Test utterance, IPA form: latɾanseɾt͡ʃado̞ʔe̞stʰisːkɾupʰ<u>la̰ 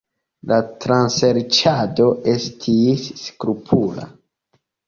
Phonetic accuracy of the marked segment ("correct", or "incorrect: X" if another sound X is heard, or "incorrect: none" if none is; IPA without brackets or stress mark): correct